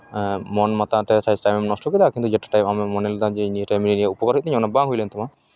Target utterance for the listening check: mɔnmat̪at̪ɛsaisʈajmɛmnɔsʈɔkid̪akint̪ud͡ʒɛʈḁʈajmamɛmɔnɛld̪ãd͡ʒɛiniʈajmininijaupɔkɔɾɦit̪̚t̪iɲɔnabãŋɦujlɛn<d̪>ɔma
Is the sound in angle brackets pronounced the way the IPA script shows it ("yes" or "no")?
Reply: no